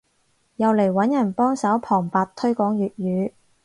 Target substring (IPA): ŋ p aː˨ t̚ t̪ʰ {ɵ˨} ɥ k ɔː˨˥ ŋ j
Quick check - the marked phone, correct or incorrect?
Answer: incorrect: ɵ˥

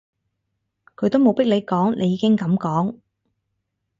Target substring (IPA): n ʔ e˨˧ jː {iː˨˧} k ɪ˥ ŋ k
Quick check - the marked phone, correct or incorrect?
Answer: correct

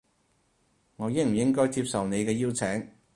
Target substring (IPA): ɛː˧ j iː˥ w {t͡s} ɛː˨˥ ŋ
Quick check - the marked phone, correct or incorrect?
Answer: incorrect: t͡sʰ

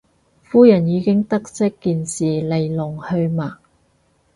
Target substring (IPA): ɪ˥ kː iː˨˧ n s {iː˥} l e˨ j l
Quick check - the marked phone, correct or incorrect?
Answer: incorrect: iː˨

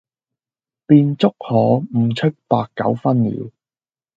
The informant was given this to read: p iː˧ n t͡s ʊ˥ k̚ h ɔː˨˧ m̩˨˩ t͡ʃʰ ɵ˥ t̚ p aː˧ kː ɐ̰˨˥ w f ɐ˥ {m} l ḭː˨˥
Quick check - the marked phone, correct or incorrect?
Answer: incorrect: n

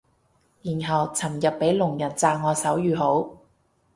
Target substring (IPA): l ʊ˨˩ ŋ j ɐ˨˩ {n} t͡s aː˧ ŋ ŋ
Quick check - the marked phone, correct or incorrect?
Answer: correct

